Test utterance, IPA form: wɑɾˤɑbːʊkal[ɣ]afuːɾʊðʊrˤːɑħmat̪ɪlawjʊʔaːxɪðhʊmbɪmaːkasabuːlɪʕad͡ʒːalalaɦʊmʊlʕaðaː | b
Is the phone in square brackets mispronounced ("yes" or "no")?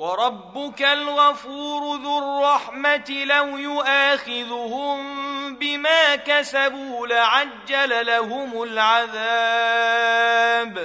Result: no